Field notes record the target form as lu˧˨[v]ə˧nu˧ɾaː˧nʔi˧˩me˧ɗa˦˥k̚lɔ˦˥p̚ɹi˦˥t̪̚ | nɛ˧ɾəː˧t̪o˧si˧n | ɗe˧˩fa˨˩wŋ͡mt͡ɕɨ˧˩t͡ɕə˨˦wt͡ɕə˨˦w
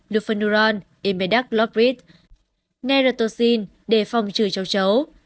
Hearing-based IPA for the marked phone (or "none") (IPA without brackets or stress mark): f